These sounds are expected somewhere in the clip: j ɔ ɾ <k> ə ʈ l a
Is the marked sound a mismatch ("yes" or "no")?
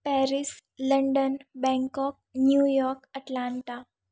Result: no